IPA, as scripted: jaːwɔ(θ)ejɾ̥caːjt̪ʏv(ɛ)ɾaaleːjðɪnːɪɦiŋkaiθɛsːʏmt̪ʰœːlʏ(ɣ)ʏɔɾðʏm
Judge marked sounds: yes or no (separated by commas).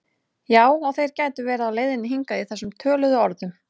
yes, no, no